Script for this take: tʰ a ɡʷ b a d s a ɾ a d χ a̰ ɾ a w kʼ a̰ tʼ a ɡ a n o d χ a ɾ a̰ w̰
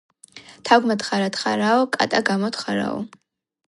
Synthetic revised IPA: tʰ a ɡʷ m a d χ a ɾ a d χ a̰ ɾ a w kʼ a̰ tʼ a ɡ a m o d χ a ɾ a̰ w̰